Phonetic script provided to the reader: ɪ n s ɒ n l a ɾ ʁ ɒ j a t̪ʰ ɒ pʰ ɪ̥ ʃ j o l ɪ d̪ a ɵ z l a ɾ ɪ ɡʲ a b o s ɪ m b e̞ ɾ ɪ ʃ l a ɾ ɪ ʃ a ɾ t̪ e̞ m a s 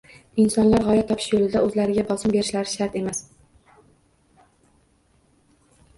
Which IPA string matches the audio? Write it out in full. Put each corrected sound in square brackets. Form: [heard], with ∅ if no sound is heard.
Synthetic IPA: ɪ n s ɒ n l a ɾ ʁ ɒ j a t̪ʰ ɒ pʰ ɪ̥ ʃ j o l ɪ d̪ a ɵ z l a ɾ ɪ ɡʲ a b [ɒ] s ɪ m b e̞ ɾ ɪ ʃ l a ɾ ɪ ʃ a ɾ t̪ e̞ m a s